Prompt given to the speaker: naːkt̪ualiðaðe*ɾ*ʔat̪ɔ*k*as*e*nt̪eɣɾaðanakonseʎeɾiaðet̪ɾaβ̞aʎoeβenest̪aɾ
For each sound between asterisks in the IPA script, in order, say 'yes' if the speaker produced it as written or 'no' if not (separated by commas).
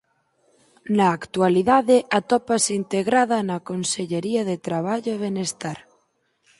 no, no, no